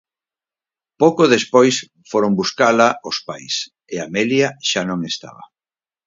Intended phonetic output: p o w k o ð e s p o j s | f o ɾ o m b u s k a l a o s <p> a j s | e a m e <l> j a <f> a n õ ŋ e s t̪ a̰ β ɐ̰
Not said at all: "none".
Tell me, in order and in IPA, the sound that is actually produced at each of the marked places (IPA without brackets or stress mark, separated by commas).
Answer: p, l, ʃ